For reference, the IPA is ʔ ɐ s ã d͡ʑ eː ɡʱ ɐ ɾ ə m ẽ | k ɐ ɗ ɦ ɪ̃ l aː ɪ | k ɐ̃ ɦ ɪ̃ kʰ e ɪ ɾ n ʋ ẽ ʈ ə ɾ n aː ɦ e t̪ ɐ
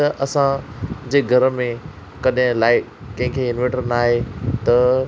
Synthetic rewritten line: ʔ ɐ s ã d͡ʑ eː ɡʱ ɐ ɾ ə m ẽ | k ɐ ɗ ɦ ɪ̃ l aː ɪ | k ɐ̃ ɦ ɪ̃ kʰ e ɪ n ʋ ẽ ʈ ə ɾ n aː ɦ e t̪ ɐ